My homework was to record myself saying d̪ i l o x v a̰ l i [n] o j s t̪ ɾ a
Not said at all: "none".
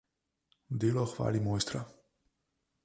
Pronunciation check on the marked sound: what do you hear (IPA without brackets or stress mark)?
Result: m